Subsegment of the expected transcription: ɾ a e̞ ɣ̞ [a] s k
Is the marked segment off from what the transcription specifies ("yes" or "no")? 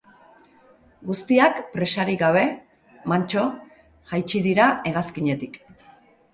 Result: no